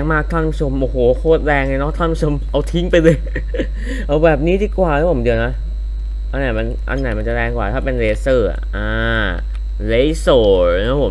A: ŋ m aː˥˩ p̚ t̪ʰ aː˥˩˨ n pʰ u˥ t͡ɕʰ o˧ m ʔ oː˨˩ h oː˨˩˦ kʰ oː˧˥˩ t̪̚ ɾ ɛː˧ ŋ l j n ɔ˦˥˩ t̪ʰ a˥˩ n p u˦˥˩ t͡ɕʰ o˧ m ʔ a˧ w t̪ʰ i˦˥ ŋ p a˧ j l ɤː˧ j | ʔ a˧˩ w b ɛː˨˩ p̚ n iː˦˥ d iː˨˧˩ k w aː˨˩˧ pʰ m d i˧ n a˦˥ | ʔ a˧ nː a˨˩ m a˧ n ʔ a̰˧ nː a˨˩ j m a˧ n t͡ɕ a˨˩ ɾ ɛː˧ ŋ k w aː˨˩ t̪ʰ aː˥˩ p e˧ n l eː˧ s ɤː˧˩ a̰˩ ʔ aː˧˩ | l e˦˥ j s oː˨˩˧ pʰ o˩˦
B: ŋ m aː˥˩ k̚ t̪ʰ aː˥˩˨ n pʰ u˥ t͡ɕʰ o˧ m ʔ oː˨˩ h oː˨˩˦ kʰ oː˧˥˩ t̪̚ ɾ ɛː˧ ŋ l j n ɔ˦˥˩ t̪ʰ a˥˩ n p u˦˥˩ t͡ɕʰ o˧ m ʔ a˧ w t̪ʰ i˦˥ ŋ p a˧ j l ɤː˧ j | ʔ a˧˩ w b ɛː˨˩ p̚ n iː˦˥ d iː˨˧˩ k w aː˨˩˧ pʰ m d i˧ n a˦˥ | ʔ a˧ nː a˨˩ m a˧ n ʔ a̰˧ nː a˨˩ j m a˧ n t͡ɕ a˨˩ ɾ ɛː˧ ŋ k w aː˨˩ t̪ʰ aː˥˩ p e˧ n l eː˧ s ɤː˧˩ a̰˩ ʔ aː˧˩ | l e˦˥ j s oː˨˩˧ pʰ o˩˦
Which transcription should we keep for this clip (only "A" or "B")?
B